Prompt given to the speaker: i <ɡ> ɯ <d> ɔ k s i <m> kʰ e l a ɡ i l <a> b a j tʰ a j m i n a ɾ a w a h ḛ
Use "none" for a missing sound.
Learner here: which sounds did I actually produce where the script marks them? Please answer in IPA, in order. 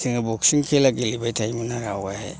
ŋ, b, ŋ, i

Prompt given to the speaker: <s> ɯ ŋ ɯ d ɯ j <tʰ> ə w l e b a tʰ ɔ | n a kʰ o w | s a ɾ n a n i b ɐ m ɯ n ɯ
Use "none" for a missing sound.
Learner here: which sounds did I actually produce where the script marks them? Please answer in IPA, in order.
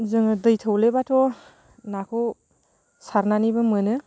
z, tʰ

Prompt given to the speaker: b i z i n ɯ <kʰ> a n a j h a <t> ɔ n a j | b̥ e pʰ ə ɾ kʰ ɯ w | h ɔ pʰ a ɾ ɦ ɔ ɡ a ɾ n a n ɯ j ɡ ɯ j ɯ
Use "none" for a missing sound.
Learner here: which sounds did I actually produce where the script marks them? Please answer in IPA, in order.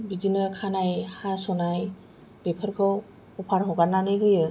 kʰ, s

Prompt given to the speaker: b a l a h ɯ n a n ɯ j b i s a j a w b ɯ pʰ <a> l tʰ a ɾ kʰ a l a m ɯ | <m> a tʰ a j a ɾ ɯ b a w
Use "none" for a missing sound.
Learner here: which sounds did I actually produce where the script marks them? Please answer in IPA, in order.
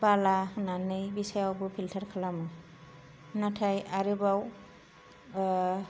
i, n

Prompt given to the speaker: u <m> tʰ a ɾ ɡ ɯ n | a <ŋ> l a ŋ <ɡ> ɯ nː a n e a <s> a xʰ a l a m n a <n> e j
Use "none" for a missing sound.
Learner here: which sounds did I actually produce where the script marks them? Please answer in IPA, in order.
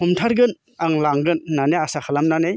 m, ŋ, ɡ, s, n

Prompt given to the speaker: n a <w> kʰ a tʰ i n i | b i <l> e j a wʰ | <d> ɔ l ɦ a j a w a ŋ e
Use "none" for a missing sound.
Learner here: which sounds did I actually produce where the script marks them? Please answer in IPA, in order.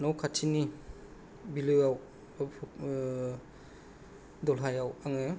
w, l, d

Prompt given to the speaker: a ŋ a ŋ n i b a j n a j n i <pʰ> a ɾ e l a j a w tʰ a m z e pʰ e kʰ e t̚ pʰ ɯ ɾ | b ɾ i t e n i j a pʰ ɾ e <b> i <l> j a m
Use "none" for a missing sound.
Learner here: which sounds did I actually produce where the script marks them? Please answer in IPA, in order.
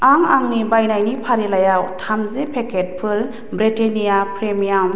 pʰ, m, none

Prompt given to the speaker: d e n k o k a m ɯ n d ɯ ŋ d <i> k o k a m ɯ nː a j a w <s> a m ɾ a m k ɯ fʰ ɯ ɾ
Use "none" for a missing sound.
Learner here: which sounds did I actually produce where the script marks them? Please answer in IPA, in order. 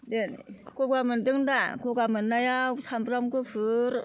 a, s

